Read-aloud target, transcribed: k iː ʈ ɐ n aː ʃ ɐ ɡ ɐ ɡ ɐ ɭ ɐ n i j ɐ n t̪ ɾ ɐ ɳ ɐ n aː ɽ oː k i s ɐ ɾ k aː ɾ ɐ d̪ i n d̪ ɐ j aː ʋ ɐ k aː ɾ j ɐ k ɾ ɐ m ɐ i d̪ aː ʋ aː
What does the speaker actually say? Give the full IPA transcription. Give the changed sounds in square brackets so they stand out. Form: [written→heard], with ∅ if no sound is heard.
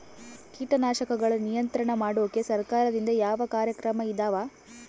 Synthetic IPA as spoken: k iː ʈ ɐ n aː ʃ ɐ [ɡ→k] ɐ ɡ ɐ ɭ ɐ n i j ɐ n t̪ ɾ ɐ ɳ ɐ [n→m] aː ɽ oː k [i→e] s ɐ ɾ k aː ɾ ɐ d̪ i n d̪ ɐ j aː ʋ ɐ k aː ɾ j ɐ k ɾ ɐ m ɐ i d̪ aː ʋ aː